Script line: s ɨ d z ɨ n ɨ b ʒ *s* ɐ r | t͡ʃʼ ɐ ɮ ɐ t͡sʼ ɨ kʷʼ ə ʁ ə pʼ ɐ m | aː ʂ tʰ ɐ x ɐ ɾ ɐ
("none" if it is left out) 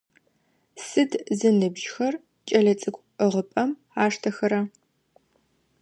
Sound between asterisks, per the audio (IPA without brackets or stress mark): x